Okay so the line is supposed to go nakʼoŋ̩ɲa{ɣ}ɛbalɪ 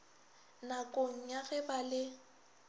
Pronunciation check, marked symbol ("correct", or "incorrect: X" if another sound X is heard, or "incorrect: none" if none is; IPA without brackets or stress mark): correct